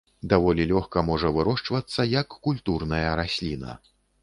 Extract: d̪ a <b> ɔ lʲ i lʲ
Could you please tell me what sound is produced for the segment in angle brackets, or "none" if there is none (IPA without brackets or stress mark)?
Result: v